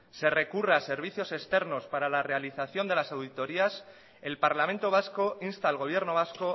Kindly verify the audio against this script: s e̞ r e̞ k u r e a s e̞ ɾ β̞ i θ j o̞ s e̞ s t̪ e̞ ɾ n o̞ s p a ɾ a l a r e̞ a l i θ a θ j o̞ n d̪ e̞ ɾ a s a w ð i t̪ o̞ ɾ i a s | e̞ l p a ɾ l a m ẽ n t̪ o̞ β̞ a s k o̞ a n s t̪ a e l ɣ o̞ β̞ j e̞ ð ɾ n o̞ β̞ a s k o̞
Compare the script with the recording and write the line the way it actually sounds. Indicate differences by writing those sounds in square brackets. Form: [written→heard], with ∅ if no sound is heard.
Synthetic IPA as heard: s e̞ r e̞ k u r e a s e̞ ɾ β̞ i θ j o̞ s e̞ s t̪ e̞ ɾ n o̞ s p a ɾ a l a r e̞ a l i θ a θ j o̞ n d̪ e̞ [ɾ→l] a s a w ð i t̪ o̞ ɾ i a s | e̞ l p a ɾ l a m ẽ n t̪ o̞ β̞ a s k o̞ [a→i] n s t̪ a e l ɣ o̞ β̞ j e̞ [ð→∅] ɾ n o̞ β̞ a s k o̞